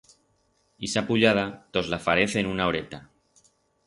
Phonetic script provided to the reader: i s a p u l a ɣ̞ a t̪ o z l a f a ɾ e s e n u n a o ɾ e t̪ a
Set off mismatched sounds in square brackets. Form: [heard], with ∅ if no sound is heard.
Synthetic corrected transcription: i s a p u [ʎ] a [ð̞] a t̪ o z l a f a ɾ e [θ] e n u n a o ɾ e t̪ a